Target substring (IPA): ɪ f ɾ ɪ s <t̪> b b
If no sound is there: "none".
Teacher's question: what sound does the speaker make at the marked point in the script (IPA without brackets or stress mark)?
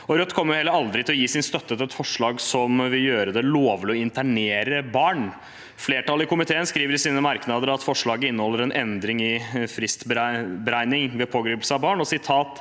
t̪